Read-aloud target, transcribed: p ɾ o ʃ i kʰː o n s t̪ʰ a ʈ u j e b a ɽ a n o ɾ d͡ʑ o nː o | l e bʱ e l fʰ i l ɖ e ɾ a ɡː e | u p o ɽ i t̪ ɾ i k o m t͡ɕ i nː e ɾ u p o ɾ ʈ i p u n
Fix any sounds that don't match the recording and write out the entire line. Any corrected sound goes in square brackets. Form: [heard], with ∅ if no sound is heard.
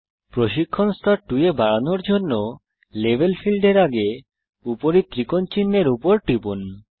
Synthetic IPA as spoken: p ɾ o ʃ i kʰː o n s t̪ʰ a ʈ u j e b a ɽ a n o ɾ d͡ʑ o nː o | l e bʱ e l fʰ i l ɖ e ɾ a [ɡ] e | u p o [ɾ] i t̪ ɾ i k o [n] t͡ɕ i nː e ɾ u p o ɾ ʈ i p u n